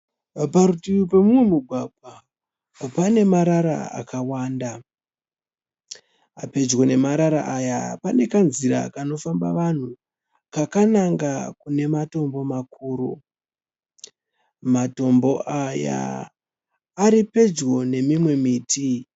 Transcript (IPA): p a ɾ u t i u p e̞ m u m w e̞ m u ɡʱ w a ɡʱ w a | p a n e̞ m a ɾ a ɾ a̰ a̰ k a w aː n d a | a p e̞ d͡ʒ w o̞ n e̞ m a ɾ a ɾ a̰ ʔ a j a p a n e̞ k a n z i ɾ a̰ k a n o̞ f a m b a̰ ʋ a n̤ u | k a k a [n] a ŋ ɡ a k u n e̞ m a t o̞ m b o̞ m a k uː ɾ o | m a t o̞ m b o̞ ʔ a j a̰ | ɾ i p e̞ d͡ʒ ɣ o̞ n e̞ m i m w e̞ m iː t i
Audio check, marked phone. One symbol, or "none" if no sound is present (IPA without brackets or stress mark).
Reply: n